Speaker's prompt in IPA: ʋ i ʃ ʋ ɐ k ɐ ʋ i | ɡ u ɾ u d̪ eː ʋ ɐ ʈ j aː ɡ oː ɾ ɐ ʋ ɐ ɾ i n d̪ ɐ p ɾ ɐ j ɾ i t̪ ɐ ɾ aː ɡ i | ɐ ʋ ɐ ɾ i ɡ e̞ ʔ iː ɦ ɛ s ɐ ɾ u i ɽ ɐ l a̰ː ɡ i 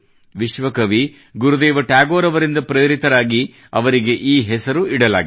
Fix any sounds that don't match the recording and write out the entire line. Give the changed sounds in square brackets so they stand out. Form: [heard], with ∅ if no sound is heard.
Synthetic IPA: ʋ i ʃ ʋ ɐ k ɐ ʋ i | ɡ u ɾ u d̪ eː ʋ ɐ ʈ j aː ɡ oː ɾ ɐ ʋ ɐ ɾ i n d̪ ɐ p ɾ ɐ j ɾ i t̪ ɐ ɾ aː ɡ i | ɐ ʋ ɐ ɾ i ɡ e̞ ʔ iː ɦ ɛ s ɐ ɾ u i ɽ ɐ l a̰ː ɡ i